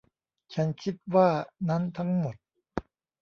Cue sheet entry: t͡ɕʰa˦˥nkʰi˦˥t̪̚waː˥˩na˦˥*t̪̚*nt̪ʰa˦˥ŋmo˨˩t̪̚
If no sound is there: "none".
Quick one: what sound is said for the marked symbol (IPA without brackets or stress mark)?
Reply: none